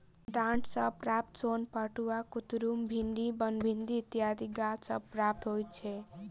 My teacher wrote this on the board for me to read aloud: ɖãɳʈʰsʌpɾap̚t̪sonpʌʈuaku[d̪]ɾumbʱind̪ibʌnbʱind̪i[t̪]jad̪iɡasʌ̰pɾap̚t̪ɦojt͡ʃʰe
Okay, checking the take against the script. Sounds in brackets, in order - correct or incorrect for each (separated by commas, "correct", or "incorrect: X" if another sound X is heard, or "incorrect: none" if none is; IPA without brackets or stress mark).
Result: incorrect: t̪, correct